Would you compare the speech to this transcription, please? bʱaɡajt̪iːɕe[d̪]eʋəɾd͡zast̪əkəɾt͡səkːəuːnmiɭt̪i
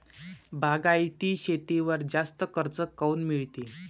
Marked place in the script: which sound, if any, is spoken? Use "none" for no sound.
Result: t̪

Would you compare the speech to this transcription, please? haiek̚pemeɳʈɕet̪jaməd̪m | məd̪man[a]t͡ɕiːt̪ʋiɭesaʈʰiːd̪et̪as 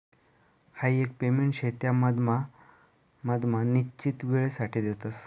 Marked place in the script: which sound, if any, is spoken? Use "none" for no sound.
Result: i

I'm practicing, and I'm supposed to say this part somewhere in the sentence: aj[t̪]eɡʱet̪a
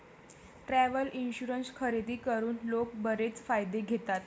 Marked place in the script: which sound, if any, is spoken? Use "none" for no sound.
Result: d̪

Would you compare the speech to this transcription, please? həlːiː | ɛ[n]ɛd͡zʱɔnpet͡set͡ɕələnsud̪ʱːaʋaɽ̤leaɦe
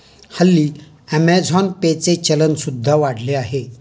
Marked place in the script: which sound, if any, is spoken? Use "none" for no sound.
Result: m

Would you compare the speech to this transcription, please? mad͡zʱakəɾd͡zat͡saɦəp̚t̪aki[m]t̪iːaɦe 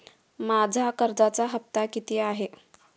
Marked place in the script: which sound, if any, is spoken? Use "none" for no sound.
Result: none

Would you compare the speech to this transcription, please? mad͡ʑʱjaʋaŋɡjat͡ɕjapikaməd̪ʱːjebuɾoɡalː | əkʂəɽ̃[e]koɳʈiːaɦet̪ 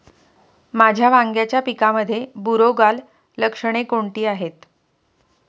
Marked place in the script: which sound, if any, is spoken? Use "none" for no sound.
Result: e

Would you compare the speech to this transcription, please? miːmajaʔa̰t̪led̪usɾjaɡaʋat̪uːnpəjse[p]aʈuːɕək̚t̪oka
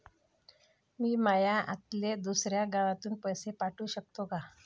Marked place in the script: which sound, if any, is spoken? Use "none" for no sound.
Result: p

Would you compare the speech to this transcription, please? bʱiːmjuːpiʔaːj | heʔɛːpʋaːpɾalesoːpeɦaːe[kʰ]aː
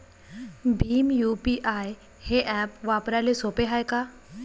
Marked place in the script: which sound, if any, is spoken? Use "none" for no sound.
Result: k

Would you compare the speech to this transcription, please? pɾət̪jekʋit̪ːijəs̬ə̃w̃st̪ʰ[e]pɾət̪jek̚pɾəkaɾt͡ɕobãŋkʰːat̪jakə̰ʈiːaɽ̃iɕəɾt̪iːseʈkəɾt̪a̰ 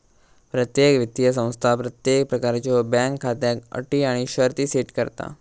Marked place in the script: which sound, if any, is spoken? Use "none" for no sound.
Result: a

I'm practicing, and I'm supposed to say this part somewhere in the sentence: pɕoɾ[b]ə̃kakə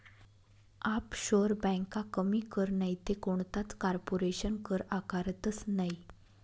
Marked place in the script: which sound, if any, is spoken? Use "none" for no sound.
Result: b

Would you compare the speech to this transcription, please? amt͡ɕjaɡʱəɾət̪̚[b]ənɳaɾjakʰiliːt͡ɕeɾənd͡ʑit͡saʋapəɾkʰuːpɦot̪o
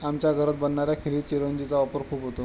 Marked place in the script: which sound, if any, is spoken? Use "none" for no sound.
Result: b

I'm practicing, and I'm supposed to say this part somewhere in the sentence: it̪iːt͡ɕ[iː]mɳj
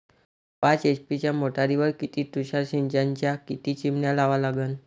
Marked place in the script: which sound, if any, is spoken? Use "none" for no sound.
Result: i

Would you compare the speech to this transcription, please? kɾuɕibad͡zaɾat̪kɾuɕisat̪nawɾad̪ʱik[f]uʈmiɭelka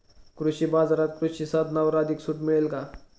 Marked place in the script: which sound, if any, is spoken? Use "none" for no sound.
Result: s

